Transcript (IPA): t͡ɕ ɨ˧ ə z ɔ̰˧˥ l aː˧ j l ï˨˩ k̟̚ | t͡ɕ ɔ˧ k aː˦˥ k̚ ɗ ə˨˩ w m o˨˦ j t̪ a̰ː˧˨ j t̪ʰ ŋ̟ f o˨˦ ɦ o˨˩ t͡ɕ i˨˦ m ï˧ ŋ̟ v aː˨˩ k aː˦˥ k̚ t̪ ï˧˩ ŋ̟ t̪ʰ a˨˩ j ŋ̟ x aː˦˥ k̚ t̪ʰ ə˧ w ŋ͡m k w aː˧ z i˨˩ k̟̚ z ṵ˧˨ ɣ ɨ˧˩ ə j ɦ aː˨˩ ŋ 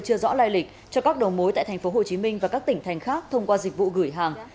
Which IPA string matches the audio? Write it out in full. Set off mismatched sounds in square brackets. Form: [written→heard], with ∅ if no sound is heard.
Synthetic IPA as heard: t͡ɕ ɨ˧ ə z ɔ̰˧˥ l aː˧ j l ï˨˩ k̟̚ | t͡ɕ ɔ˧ k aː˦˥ k̚ ɗ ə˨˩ w m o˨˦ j t̪ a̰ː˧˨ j t̪ʰ ŋ̟ f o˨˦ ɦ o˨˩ t͡ɕ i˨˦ m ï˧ ŋ̟ v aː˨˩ k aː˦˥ k̚ t̪ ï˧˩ ŋ̟ t̪ʰ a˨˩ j ŋ̟ x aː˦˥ k̚ t̪ʰ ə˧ w ŋ͡m k w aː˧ z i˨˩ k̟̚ [z→v] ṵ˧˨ ɣ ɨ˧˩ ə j ɦ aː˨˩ ŋ